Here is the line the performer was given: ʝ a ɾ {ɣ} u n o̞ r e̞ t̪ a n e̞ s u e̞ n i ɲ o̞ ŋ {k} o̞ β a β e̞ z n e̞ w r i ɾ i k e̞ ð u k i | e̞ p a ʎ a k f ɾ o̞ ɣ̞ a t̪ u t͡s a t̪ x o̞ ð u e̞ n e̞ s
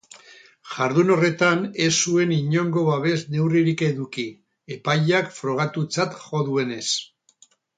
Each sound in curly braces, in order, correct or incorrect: incorrect: ð, incorrect: ɡ

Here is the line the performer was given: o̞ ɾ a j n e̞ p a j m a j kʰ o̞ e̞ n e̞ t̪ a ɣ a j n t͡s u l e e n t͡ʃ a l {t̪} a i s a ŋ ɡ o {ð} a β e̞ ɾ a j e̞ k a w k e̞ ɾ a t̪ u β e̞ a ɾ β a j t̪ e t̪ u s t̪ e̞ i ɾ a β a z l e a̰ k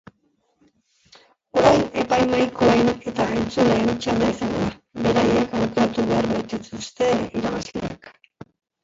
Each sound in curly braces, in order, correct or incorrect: incorrect: d̪, correct

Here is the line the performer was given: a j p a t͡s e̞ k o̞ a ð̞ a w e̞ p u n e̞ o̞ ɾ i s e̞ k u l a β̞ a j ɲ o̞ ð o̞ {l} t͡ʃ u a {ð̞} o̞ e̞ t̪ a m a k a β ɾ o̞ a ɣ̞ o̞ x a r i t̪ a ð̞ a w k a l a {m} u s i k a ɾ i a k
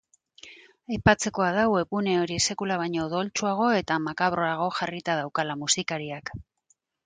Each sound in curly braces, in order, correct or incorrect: correct, incorrect: ɣ̞, correct

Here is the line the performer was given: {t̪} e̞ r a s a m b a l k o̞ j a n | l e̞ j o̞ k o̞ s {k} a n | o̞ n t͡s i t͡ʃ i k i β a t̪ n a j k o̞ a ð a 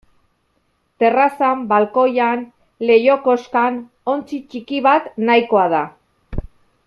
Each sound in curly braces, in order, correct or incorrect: correct, correct

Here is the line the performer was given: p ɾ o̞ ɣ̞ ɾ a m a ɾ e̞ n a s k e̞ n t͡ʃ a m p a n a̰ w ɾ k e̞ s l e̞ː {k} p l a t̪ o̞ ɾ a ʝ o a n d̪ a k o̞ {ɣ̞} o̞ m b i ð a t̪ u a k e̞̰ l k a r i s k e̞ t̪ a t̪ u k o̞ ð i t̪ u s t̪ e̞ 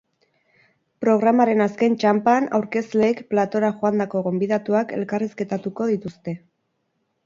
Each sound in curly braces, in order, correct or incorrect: correct, correct

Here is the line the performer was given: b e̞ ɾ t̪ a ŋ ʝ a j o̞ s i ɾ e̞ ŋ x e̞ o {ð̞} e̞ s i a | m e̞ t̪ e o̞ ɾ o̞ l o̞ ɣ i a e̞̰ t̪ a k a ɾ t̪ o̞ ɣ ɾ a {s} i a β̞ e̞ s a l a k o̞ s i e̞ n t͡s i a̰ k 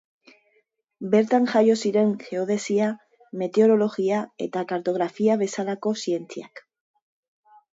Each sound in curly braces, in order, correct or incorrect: correct, incorrect: f

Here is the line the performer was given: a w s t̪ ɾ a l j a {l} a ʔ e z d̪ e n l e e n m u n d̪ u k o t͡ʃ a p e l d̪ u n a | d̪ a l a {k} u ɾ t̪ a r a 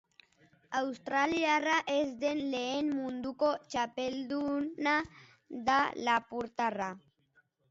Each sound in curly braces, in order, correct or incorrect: incorrect: r, incorrect: p

